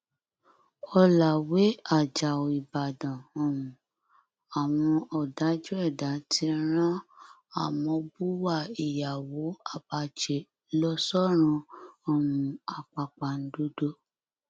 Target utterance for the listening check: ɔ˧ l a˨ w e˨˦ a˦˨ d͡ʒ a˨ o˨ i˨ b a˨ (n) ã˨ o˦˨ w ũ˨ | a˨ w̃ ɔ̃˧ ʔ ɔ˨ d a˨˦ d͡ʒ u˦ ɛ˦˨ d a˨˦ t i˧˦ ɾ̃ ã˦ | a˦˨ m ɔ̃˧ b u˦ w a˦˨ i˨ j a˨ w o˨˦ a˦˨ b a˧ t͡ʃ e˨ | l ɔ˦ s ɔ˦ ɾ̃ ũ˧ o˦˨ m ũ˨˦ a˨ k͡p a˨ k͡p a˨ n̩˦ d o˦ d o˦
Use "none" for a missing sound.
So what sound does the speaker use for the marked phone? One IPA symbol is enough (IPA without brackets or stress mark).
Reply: d